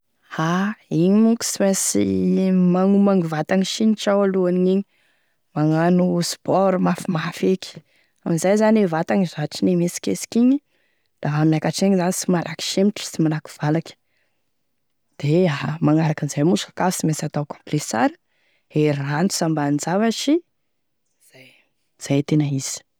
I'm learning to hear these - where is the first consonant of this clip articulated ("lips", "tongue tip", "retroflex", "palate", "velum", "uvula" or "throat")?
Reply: throat